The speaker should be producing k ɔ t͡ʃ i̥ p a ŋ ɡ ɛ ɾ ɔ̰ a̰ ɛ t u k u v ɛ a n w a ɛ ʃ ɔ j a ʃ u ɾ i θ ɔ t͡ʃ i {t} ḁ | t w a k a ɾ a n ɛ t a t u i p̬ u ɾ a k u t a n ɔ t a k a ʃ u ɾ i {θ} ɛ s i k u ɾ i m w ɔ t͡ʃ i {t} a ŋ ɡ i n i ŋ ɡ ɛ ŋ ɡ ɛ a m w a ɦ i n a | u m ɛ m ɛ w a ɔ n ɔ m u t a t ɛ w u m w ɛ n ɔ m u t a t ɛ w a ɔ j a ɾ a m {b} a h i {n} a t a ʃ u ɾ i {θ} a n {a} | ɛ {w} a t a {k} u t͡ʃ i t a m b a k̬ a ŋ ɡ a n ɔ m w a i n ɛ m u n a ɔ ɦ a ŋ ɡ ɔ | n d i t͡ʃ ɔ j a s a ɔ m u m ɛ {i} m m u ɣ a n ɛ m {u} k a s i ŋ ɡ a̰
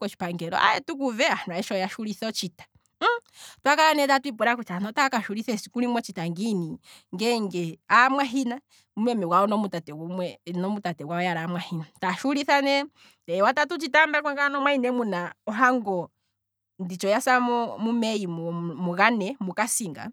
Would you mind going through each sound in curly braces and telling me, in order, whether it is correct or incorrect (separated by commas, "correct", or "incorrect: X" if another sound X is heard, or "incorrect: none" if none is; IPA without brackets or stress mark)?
correct, correct, correct, incorrect: w, correct, correct, incorrect: ɛ, correct, incorrect: t, correct, correct